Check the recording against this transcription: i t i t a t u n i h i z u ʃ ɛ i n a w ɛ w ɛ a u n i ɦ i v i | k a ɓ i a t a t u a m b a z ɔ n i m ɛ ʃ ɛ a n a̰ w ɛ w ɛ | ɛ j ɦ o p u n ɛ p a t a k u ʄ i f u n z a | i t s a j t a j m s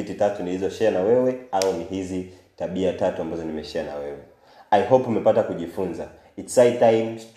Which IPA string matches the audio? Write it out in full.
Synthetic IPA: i t i t a t u n i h i z ɔ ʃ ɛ a n a w ɛ w ɛ a u n i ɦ i z i | t a ɓ i a t a t u a m b a z ɔ n i m ɛ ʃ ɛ a n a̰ w ɛ w ɛ | a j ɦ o p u m ɛ p a t a k u ʄ i f u n z a | i t s a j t a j m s